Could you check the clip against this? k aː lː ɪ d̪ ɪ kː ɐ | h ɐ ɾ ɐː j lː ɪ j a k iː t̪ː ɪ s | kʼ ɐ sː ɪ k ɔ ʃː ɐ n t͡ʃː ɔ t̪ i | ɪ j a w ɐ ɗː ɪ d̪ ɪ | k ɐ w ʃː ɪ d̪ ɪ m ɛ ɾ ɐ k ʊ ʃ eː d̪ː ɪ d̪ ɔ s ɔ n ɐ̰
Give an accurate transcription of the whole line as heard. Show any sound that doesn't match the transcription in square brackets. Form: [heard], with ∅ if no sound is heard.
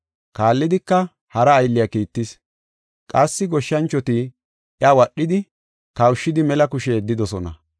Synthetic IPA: k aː lː ɪ d̪ ɪ kː ɐ | h ɐ ɾ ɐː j lː ɪ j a k iː t̪ː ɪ s | kʼ ɐ sː ɪ [ɡ] ɔ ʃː ɐ n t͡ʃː ɔ t̪ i | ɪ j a w ɐ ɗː ɪ d̪ ɪ | k ɐ w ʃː ɪ d̪ ɪ m ɛ [l] ɐ k ʊ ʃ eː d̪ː ɪ d̪ ɔ s ɔ n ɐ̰